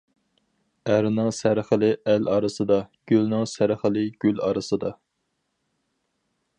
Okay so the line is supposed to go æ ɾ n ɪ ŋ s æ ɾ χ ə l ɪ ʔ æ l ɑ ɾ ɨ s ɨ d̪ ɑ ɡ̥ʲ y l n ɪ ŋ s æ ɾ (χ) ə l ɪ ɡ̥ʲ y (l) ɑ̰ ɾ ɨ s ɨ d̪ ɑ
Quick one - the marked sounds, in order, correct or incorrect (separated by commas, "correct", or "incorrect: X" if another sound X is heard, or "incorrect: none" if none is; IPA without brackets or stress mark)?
correct, correct